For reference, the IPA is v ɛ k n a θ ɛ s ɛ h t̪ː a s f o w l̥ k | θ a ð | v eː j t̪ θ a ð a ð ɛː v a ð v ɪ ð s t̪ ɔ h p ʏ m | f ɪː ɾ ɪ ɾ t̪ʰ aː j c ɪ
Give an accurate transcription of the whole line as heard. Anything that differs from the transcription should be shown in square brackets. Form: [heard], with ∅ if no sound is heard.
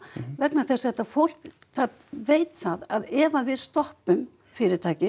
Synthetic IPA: v ɛ k n a θ ɛ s ɛ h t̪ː a [∅] f o w l̥ k | θ a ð | v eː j t̪ θ a ð a ð ɛː v a ð v ɪ ð s t̪ ɔ h p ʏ m | f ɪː ɾ ɪ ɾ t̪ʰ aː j c ɪ